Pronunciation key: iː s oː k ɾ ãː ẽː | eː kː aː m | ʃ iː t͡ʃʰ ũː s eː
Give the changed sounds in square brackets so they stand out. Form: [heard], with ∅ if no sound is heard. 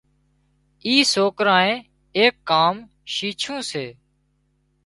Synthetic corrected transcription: iː s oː k ɾ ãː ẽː | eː kː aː m | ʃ iː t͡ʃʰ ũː s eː